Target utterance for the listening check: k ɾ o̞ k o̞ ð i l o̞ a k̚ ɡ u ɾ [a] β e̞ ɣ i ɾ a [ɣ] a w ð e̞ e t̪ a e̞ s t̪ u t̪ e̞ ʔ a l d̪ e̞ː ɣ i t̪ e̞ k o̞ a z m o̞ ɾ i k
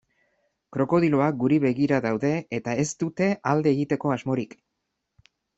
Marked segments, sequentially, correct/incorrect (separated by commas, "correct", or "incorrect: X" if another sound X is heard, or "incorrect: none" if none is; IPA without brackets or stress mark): incorrect: i, incorrect: ð